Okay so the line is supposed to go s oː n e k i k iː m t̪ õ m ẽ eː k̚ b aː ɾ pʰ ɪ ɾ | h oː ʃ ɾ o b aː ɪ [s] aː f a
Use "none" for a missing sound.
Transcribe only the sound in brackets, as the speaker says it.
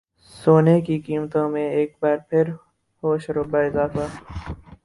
z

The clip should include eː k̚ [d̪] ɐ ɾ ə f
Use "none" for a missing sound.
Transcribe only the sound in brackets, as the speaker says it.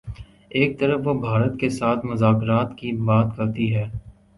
t̪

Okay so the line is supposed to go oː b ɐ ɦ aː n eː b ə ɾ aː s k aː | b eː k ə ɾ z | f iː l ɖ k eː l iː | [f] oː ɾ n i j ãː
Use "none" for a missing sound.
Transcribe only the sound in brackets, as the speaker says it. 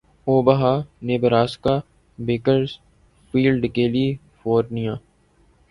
f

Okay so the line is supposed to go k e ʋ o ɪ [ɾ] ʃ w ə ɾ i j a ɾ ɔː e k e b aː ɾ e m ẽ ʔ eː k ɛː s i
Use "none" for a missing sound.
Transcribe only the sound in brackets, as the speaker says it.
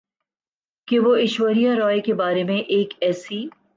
none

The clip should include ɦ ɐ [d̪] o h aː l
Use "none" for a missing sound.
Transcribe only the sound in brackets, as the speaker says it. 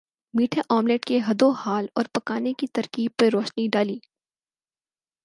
d̪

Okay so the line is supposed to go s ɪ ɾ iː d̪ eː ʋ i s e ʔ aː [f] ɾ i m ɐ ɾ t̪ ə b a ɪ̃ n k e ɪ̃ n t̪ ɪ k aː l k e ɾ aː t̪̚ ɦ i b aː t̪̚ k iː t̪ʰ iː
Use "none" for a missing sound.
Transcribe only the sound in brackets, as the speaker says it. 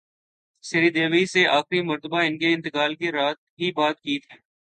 x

